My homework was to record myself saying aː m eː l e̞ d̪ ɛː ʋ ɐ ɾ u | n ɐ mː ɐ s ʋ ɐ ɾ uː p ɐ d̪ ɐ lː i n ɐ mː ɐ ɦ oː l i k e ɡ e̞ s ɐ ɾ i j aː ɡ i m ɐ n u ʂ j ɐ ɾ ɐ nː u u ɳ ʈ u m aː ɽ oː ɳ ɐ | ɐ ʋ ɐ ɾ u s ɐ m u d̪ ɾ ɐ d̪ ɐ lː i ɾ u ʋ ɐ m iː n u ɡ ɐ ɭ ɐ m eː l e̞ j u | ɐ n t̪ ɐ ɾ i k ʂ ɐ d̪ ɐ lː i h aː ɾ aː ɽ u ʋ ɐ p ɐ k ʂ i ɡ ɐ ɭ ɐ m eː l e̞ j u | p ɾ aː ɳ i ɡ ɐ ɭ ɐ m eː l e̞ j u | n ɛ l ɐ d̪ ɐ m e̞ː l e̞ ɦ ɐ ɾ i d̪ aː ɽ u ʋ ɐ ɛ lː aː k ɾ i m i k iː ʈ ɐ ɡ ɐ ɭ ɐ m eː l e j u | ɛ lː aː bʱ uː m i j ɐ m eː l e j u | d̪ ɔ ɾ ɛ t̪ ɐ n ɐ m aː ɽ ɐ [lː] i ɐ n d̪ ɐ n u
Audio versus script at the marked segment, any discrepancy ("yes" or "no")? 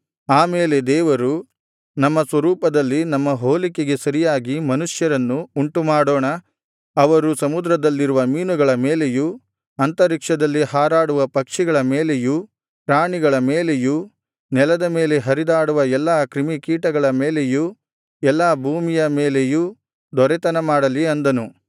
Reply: yes